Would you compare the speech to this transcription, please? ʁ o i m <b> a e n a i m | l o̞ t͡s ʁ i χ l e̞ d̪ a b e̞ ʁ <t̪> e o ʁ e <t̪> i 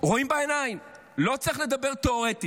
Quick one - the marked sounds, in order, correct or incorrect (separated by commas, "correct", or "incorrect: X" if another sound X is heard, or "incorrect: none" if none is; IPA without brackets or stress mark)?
correct, correct, correct